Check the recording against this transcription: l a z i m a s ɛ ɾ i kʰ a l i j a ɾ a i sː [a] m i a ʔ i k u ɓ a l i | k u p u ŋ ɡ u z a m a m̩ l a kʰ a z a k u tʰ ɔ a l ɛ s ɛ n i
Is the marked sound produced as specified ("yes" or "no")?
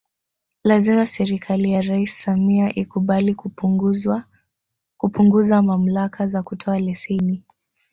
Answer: yes